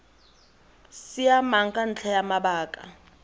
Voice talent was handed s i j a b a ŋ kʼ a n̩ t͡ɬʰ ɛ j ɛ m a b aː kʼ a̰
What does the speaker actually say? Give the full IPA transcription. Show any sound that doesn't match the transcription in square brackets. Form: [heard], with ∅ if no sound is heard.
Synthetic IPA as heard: s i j a [m] a ŋ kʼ a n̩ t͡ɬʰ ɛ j [a] m a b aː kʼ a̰